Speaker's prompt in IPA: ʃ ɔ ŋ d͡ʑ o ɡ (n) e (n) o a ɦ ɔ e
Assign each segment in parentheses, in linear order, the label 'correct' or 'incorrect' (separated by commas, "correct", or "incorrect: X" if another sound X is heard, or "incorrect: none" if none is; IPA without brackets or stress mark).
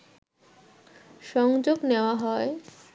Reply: correct, incorrect: none